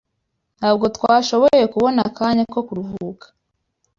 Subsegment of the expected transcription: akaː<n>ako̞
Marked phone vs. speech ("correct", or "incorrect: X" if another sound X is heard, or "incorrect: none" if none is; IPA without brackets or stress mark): incorrect: ɲ